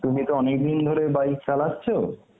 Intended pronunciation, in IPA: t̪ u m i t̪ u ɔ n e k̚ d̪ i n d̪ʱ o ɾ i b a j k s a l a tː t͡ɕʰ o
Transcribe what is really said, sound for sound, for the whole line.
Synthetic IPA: t̪ u m i t̪ o ɔ n e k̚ d̪ i n d̪ʱ o ɾ e b a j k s a l a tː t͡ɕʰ o

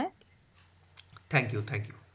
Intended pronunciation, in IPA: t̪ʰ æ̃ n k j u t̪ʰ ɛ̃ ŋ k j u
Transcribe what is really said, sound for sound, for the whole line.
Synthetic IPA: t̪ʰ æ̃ ŋ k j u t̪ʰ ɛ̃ ŋ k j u

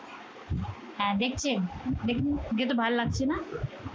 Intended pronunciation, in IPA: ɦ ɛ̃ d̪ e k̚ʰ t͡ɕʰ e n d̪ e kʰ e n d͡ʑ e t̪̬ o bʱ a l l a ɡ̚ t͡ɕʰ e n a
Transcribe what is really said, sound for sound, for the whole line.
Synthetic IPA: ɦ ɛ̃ d̪ e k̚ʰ t͡ɕʰ e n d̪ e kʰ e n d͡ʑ e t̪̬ o bʱ a l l a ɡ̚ t͡ɕʰ e n a

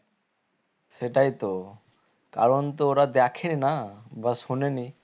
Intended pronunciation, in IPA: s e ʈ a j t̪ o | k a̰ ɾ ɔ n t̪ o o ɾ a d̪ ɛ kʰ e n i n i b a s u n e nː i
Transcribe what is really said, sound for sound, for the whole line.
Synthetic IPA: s e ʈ a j t̪ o | k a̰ ɾ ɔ n t̪ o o ɾ a d̪ ɛ kʰ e n i n a b a s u n e n i

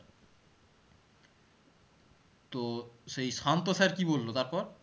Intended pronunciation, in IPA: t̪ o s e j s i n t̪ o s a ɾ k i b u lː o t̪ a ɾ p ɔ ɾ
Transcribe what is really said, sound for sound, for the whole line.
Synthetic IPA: t̪ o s e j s a n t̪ o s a ɾ k i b o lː o t̪ a ɾ p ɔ ɾ

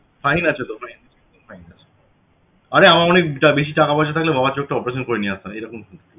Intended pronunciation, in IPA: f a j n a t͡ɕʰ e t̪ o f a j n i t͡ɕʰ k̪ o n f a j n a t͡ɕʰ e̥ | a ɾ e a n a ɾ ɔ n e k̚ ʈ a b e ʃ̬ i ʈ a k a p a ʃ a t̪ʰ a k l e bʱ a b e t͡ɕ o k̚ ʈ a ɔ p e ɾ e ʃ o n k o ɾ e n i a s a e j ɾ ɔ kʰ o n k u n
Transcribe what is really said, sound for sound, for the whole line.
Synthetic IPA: f a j n a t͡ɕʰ e t̪ o f a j n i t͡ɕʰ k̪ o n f a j n a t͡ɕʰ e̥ | a ɾ e a m a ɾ ɔ n e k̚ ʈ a b e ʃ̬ i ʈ a k a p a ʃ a t̪ʰ a k l e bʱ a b a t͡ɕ o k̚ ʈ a ɔ p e ɾ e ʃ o n k o ɾ e n i a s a e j ɾ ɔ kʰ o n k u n

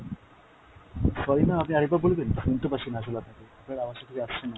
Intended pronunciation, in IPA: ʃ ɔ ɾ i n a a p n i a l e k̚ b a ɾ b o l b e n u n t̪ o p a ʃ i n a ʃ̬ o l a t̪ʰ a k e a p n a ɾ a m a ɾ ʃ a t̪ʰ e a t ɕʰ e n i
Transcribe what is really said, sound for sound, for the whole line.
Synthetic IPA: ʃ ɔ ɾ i n a a p n i a ɾ e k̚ b a ɾ b o l b e n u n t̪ o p a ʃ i n a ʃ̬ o l a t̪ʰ a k e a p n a ɾ a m a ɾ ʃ a t̪ʰ e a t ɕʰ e n a

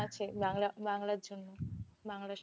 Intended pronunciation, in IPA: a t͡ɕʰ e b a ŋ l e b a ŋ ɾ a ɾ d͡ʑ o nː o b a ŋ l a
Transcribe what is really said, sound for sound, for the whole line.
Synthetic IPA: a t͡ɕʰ e b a ŋ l a b a ŋ l a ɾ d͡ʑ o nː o b a ŋ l a

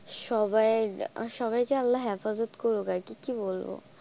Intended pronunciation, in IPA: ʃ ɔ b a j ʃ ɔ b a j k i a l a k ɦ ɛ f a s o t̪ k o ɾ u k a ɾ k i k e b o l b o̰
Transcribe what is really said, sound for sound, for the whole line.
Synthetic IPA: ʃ ɔ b a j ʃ ɔ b a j k e a lː a ɦ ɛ f a z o t̪ k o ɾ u k a ɾ k i k i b o l b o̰

